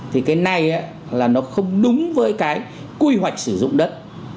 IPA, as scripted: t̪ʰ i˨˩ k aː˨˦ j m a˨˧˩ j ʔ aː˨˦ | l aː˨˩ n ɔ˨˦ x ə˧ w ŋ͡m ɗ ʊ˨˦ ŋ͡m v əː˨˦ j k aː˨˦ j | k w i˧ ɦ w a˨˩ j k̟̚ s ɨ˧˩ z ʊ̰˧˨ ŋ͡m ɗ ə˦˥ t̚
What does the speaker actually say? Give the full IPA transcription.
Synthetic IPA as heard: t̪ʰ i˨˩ k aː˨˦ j n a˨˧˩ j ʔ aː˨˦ | l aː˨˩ n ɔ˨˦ x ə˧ w ŋ͡m ɗ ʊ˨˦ ŋ͡m v əː˨˦ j k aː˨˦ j | k w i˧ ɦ w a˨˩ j k̟̚ s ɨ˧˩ z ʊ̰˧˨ ŋ͡m ɗ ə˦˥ t̚